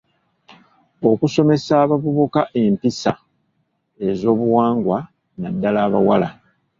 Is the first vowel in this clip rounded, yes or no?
yes